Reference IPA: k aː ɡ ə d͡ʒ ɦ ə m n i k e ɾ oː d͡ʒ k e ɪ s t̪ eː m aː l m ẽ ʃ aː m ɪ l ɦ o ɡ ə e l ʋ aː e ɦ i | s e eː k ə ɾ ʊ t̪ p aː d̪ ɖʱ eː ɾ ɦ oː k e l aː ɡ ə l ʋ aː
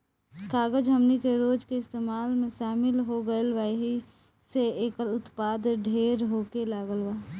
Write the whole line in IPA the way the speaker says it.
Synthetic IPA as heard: k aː ɡ ə d͡ʒ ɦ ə m n i k e ɾ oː d͡ʒ k e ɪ s t̪ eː m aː l m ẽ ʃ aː m ɪ l ɦ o ɡ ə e l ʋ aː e ɦ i | s e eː k ə ɾ ʊ t̪ p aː d̪ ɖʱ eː ɾ ɦ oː k e l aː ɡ ə l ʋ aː